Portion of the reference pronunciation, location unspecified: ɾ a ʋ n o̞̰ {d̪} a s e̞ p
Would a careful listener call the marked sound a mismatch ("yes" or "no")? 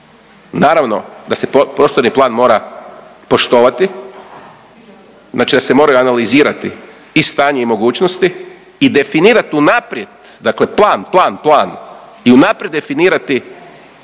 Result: no